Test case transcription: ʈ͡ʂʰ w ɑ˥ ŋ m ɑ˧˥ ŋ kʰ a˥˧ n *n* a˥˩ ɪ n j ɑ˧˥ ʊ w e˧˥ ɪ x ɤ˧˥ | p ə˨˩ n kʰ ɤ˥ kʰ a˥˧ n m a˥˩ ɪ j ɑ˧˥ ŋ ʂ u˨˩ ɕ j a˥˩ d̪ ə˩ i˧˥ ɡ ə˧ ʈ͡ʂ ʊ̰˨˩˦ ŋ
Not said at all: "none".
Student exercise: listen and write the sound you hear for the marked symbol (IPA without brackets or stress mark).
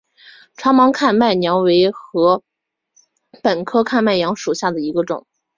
m